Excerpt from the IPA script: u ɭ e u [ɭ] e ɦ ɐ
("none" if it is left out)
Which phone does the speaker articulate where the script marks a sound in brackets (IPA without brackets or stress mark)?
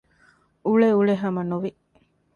ɭ